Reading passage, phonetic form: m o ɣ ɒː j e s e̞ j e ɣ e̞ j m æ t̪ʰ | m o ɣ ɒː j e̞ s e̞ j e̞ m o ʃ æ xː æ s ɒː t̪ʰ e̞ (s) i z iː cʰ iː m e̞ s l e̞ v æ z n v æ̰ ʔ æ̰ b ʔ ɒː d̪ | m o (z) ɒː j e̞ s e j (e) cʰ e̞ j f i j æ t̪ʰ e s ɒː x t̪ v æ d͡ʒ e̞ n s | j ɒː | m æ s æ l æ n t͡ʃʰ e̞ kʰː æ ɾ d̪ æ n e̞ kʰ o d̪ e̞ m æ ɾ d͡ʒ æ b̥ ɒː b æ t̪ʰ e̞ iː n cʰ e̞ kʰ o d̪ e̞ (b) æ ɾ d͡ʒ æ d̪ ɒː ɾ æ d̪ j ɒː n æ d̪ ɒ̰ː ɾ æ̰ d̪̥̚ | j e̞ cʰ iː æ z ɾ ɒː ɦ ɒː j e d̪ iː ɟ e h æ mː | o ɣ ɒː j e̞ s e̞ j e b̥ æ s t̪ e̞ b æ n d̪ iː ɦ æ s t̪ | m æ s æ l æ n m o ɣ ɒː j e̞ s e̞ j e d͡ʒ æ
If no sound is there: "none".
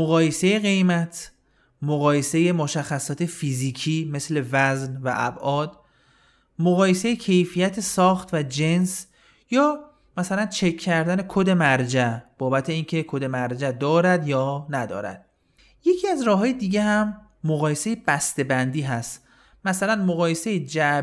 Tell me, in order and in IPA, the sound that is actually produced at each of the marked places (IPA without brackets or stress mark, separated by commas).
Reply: f, ɣ, e, m